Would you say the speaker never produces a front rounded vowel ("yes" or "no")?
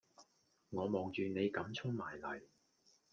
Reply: no